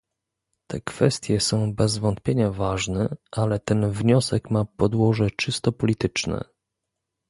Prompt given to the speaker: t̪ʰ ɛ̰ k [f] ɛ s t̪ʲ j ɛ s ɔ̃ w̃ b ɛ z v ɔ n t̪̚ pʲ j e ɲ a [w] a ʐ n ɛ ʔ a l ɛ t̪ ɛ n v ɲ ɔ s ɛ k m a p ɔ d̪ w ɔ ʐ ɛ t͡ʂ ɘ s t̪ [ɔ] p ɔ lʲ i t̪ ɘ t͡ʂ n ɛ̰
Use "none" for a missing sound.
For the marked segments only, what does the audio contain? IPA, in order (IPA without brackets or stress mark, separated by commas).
f, v, ɔ